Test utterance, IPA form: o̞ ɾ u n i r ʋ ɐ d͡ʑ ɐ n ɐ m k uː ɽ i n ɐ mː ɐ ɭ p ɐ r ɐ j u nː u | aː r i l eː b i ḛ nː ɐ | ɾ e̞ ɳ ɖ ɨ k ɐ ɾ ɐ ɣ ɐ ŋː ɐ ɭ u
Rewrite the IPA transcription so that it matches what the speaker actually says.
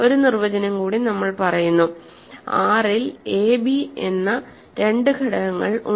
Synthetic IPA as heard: o̞ ɾ u n i r ʋ ɐ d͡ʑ ɐ n ɐ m k uː ɽ i n ɐ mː ɐ ɭ p ɐ r ɐ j u nː u | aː r i l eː b i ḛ nː ɐ | ɾ e̞ ɳ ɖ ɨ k ɐ ɽ ɐ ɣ ɐ ŋː ɐ ɭ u